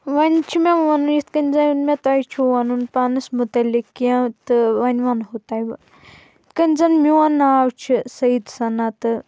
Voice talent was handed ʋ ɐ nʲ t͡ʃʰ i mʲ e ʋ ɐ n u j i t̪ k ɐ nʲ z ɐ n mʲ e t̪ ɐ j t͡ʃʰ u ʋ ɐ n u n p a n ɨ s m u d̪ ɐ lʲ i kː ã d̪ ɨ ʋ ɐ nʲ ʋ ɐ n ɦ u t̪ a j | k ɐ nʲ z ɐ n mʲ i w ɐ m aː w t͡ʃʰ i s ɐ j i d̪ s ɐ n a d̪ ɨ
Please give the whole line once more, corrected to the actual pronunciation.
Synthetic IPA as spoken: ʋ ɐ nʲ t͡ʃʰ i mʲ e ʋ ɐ n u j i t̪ k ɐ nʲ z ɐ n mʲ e t̪ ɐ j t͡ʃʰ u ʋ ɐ n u n p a n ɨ s m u t̪ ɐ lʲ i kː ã t̪ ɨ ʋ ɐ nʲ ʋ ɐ n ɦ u t̪ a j | k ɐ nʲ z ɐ n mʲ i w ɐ n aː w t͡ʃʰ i s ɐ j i d̪ s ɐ n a t̪ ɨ